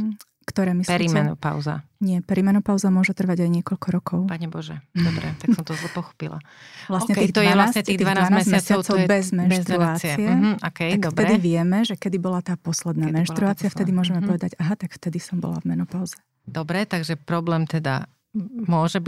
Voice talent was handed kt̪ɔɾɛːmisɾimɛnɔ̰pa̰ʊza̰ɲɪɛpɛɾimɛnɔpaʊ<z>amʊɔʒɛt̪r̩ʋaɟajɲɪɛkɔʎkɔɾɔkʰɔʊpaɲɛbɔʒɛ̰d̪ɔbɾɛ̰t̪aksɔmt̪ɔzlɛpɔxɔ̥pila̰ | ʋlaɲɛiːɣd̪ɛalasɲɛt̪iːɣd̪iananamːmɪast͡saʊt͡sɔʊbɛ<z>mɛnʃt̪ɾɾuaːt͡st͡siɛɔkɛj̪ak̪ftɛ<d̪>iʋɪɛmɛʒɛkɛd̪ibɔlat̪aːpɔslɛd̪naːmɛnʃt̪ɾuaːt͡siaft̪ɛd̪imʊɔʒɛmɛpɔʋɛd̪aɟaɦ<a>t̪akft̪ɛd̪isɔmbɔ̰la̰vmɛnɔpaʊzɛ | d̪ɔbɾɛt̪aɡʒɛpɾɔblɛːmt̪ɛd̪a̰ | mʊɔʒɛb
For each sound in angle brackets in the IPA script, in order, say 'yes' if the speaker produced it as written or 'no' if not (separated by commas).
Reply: yes, yes, yes, yes